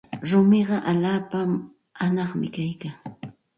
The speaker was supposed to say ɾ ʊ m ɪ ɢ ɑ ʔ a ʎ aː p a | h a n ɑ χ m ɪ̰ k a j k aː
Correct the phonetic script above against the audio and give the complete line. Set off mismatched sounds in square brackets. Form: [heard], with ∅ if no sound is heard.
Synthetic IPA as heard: ɾ ʊ m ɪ ɢ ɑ ʔ a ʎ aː p a | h a n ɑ χ m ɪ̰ k a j k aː